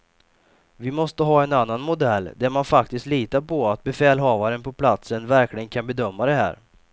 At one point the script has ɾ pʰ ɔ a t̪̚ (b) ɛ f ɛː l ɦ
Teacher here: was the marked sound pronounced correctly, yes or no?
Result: yes